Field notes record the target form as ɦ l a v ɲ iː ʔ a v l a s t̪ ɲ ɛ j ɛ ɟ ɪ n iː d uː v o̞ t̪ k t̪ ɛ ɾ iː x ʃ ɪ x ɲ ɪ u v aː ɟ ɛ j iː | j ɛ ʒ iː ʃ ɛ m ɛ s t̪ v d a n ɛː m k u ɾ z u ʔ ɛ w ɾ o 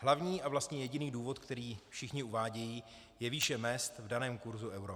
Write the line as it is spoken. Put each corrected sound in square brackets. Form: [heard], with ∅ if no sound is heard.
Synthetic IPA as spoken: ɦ l a v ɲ iː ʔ a v l a s t̪ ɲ ɛ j ɛ ɟ ɪ n iː d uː v o̞ t̪ k t̪ ɛ ɾ iː [f] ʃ ɪ x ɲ ɪ u v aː ɟ ɛ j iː | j ɛ [v] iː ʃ ɛ m ɛ s t̪ v d a n ɛː m k u ɾ z u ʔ ɛ w ɾ o